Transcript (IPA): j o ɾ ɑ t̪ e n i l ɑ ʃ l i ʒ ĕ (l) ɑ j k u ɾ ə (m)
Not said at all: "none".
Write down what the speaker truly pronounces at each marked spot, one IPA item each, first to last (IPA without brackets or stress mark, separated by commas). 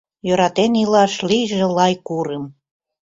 l, m